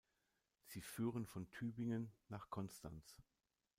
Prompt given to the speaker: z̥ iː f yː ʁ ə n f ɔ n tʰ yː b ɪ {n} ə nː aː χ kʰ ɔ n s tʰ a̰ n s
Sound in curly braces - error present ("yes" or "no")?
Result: yes